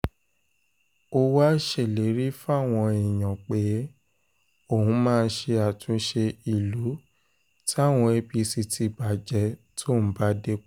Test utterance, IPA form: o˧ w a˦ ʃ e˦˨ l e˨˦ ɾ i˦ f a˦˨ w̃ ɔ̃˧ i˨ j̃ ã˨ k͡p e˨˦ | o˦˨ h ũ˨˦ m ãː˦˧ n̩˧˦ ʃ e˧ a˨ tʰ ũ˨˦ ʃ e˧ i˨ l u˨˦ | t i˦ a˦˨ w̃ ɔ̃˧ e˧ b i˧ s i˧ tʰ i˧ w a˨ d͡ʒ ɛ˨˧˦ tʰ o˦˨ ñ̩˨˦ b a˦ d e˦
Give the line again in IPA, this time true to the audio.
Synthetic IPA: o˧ w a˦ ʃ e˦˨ l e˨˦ ɾ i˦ f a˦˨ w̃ ɔ̃˧ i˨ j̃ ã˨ k͡p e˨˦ | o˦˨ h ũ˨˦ m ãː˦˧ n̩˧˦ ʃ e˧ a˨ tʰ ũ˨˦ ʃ e˧ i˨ l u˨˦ | t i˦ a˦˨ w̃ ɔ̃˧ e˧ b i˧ s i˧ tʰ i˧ b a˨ d͡ʒ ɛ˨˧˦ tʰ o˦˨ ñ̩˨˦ b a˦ d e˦